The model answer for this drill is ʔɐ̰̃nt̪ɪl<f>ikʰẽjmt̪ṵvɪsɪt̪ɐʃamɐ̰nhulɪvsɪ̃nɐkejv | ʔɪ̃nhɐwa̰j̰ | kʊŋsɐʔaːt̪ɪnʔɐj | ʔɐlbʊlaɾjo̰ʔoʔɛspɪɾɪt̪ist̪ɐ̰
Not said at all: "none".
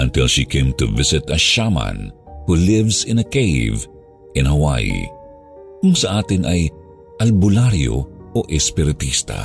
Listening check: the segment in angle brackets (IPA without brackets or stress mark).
ʃ